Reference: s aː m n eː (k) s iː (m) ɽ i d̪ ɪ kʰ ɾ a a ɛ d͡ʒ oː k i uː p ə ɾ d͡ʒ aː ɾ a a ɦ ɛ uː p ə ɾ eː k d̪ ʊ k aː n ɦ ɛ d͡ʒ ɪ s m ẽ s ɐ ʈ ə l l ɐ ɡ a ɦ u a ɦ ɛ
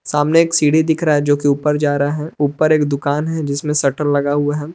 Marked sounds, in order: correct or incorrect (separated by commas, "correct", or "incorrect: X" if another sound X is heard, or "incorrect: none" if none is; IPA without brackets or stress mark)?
correct, incorrect: none